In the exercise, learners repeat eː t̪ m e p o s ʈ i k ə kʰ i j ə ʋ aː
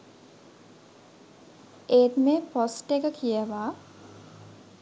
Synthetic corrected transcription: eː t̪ m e p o s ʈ e k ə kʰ i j ə ʋ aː